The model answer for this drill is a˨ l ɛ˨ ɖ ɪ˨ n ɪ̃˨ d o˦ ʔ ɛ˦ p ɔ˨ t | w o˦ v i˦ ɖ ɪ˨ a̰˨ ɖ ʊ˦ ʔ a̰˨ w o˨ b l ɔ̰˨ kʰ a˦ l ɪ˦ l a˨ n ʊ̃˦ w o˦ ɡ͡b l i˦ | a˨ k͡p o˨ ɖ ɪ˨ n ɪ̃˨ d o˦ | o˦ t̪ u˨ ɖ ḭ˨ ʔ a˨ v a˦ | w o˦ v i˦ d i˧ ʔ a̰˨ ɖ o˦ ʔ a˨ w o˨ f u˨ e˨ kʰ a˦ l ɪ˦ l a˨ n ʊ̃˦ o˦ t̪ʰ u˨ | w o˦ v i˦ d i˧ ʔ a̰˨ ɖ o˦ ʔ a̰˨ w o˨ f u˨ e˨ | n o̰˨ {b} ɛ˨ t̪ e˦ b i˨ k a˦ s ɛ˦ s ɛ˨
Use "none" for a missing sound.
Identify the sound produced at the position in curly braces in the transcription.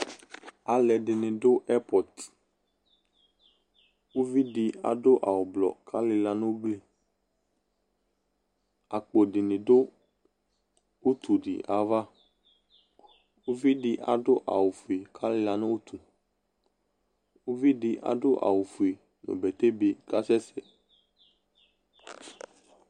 b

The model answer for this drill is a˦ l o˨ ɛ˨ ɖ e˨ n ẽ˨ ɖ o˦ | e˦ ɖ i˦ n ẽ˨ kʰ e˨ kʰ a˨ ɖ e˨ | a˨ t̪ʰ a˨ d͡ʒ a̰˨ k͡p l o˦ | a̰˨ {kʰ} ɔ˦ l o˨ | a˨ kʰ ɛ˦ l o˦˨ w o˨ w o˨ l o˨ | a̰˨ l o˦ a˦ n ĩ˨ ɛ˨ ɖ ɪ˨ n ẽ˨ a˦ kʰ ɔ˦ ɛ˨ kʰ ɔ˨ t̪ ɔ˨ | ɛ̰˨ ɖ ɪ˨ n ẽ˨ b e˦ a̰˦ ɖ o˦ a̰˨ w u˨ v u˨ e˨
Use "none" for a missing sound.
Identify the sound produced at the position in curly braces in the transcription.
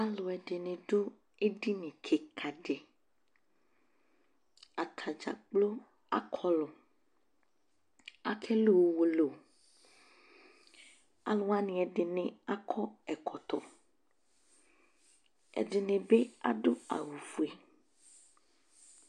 kʰ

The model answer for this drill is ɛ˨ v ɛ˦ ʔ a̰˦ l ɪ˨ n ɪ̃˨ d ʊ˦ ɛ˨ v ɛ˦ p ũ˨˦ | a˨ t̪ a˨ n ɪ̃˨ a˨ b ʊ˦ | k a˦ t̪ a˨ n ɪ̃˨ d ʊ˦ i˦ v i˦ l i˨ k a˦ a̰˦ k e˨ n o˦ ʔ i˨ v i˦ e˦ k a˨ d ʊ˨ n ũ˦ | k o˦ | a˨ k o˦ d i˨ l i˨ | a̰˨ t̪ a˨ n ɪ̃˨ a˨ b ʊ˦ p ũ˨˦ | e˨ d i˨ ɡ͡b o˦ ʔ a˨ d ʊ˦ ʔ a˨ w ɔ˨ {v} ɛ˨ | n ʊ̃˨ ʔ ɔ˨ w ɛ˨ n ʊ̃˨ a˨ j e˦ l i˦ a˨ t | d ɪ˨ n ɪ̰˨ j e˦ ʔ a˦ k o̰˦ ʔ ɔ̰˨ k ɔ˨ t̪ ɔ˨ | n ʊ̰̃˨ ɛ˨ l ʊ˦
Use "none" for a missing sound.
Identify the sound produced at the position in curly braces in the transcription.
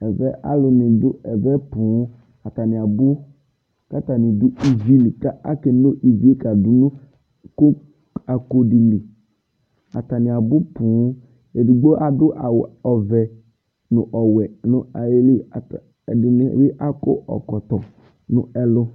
v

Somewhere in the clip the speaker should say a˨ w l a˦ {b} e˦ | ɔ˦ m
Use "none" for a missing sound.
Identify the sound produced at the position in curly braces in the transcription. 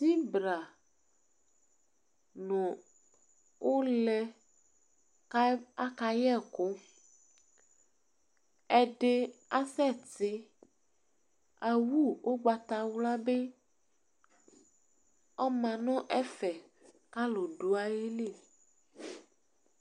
b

